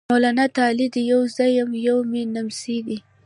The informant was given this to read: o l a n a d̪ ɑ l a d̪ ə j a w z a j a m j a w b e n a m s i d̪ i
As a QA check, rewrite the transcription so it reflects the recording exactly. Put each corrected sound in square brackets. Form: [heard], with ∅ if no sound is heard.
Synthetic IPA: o l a n a [t̪] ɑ l [i] d̪ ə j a w z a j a m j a w [m] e n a m s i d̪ i